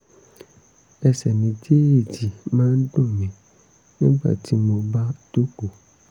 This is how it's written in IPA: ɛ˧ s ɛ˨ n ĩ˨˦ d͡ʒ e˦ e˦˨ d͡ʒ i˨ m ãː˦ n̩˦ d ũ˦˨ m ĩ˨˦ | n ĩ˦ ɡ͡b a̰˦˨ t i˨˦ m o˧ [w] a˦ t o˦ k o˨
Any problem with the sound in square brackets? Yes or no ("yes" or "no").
yes